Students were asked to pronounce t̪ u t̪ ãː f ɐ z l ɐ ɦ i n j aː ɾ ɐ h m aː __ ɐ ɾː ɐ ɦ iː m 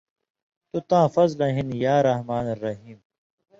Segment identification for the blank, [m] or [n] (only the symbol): n